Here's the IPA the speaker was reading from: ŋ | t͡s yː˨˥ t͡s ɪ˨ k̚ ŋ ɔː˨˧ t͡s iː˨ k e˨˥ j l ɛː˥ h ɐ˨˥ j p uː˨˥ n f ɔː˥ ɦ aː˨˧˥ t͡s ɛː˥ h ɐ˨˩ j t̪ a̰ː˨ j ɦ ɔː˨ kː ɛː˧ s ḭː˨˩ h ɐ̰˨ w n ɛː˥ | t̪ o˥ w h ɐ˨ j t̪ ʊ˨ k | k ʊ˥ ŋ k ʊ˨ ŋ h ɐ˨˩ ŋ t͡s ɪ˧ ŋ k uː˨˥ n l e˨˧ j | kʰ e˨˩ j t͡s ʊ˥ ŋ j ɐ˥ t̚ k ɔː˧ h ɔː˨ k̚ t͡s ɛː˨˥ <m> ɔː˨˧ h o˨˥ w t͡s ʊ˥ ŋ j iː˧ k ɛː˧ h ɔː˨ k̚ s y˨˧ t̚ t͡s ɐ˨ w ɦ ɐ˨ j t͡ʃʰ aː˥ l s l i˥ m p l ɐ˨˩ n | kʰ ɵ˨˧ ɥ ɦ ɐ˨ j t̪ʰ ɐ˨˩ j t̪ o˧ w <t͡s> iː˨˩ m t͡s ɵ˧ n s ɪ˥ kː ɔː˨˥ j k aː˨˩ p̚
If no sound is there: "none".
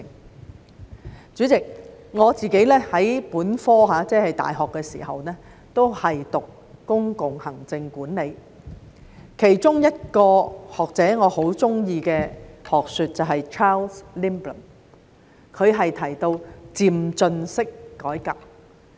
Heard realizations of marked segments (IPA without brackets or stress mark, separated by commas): ŋ, t͡s